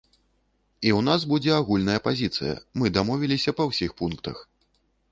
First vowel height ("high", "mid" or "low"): high